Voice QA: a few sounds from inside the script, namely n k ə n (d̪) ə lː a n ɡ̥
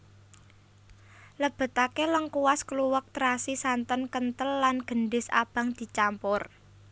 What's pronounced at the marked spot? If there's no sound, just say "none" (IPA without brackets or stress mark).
t̪